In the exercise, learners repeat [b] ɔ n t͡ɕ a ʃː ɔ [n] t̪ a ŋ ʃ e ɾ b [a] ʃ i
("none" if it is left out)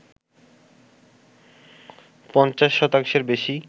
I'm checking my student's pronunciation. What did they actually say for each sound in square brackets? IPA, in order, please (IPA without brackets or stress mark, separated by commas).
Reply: p, none, e